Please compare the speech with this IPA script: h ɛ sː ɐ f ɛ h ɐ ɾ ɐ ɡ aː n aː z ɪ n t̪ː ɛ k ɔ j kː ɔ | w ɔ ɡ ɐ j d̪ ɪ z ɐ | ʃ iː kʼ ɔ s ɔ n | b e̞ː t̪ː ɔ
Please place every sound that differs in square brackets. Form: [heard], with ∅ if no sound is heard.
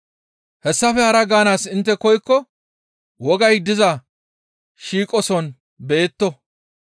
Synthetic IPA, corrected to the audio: h ɛ sː ɐ f ɛ h ɐ ɾ ɐ ɡ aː n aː [s] ɪ n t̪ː ɛ k ɔ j kː ɔ | w ɔ ɡ ɐ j d̪ ɪ z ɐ | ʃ iː kʼ ɔ s ɔ n | b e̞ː t̪ː ɔ